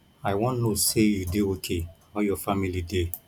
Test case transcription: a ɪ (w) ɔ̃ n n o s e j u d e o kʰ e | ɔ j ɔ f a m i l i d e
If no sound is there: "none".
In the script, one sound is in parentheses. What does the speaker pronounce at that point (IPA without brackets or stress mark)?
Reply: w